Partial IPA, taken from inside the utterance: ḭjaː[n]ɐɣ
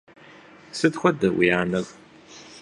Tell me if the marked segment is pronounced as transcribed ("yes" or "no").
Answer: yes